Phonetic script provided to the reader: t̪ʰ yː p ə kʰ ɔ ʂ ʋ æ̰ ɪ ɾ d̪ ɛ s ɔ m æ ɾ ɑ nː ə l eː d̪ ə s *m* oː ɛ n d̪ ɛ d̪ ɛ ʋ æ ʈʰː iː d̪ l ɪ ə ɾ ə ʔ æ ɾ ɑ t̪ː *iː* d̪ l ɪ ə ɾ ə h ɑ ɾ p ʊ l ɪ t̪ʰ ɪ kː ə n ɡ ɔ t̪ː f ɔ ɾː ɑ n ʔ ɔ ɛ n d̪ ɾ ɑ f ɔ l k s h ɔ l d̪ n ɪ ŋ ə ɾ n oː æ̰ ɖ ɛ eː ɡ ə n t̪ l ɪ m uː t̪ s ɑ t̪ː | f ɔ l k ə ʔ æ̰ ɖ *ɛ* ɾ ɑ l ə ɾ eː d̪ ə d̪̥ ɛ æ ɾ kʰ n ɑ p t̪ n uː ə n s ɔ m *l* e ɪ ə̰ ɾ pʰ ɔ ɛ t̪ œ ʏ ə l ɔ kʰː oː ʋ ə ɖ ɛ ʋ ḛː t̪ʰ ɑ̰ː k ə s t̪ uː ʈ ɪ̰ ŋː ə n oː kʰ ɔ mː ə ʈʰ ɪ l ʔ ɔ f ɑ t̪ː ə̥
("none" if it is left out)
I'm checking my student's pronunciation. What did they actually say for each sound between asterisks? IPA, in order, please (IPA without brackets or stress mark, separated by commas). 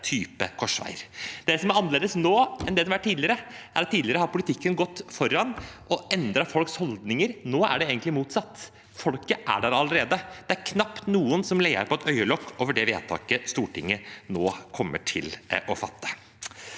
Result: n, iː, æ, l